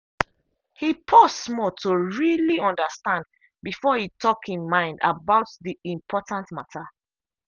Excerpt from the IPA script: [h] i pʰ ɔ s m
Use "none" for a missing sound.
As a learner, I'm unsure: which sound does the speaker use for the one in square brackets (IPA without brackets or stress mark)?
h